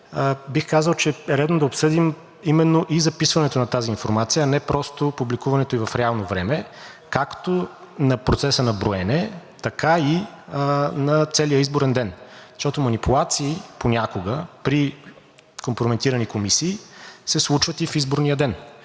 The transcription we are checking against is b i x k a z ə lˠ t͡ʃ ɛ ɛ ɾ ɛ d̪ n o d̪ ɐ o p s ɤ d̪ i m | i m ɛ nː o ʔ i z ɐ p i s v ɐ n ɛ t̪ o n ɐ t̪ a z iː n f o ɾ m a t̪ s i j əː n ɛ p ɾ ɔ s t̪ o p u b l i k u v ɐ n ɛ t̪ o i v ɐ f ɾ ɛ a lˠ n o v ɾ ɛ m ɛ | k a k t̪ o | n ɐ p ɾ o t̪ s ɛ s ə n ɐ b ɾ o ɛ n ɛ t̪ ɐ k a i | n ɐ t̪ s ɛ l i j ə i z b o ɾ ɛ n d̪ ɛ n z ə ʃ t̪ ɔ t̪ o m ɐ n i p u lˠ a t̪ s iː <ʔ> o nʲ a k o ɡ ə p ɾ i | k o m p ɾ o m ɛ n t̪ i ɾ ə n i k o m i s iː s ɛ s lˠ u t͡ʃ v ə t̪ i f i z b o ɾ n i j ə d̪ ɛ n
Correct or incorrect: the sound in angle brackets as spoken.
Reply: incorrect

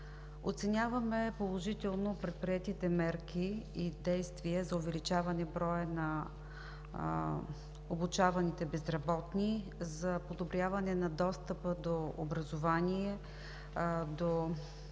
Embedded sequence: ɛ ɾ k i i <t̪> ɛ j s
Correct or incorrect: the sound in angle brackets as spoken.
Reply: incorrect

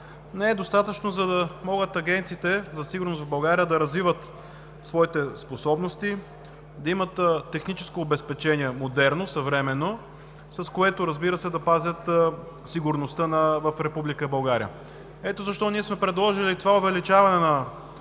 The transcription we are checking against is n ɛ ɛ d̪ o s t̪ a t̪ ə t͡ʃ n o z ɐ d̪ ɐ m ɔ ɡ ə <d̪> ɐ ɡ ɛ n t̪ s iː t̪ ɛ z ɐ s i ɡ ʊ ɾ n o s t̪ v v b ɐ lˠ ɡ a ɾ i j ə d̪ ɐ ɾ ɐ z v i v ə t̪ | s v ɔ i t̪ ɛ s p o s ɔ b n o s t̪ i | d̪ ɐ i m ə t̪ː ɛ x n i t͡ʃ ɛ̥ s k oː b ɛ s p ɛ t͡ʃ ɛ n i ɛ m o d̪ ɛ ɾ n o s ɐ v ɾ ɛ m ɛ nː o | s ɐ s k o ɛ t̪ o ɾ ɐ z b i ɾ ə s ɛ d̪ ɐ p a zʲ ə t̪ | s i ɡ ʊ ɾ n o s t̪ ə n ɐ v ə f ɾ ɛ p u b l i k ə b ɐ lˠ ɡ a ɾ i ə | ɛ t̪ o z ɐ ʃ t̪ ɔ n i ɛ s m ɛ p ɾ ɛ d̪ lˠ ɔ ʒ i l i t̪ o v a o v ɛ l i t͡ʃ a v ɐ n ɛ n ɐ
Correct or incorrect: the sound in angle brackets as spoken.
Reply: incorrect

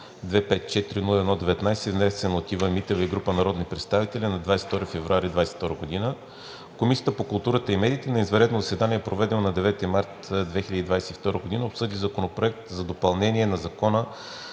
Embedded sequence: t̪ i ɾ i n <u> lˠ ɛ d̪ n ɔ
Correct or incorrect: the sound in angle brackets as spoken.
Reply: correct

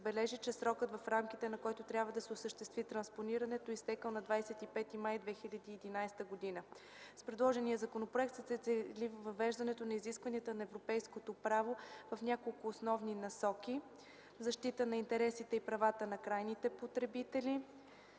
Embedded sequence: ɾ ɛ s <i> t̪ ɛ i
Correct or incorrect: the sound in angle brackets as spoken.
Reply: correct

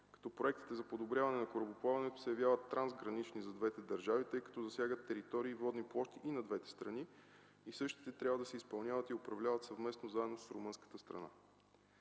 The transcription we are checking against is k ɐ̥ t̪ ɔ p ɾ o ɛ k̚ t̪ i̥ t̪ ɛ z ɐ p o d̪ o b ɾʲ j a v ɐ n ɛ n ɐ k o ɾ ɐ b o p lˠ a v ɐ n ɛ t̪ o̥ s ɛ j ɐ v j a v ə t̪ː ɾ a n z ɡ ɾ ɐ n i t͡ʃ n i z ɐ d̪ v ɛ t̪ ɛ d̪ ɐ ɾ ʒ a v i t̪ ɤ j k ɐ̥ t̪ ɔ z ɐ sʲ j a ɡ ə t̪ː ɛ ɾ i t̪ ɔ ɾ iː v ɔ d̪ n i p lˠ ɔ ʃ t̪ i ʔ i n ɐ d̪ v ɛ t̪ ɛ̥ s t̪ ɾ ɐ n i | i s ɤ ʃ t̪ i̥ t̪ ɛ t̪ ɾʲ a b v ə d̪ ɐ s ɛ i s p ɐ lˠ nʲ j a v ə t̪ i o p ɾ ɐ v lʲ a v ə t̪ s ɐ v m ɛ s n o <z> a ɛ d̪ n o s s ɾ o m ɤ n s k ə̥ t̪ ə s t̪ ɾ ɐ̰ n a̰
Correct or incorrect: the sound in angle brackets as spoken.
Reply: correct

